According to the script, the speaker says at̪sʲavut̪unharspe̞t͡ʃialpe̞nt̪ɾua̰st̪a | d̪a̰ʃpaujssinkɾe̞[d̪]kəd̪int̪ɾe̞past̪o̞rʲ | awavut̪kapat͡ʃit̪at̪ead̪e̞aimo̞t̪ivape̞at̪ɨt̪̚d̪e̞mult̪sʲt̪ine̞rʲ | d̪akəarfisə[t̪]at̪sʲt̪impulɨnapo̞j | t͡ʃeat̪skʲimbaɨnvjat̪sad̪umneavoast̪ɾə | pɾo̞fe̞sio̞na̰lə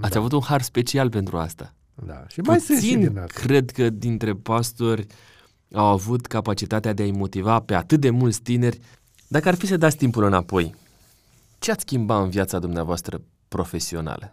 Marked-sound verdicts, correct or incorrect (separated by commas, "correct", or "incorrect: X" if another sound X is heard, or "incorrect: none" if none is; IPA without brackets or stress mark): correct, incorrect: d̪